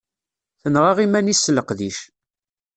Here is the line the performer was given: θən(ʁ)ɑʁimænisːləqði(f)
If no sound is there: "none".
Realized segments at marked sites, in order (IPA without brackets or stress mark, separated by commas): ʁ, ʃ